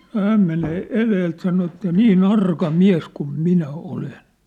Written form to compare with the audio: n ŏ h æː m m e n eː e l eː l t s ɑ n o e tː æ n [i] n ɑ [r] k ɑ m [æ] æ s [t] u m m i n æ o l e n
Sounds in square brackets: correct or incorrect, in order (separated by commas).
incorrect, correct, incorrect, incorrect